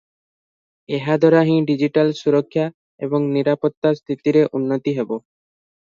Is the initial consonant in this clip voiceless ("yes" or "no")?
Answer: no